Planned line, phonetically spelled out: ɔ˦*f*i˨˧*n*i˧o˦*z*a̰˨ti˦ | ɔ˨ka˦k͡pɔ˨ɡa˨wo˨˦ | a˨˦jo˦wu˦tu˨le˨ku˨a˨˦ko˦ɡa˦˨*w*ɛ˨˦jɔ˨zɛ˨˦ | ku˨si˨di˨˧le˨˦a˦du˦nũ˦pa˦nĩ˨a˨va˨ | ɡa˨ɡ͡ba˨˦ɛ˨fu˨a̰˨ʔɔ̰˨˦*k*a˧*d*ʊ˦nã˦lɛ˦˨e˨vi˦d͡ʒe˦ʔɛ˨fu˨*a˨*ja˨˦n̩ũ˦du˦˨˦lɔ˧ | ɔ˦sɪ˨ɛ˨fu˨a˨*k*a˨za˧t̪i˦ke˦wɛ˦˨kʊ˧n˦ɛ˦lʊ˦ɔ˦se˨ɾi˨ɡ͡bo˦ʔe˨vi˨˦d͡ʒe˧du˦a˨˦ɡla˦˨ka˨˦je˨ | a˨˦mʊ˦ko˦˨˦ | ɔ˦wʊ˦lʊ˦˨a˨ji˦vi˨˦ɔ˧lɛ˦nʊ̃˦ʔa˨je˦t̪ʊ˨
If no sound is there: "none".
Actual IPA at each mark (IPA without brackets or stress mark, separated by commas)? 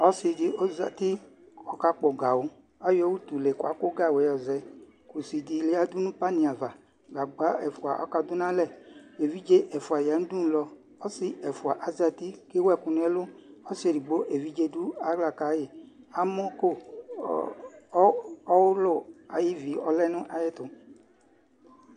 s, d, z, w, k, d, a˨, ʔ